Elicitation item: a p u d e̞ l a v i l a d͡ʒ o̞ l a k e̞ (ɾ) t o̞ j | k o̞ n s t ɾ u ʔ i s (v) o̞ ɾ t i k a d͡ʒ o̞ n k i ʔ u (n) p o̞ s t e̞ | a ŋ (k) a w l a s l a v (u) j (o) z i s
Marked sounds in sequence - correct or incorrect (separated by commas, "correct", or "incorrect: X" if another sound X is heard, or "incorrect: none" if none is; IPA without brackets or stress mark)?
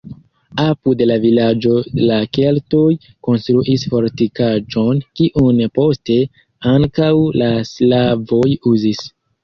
incorrect: l, incorrect: f, correct, correct, incorrect: o, incorrect: u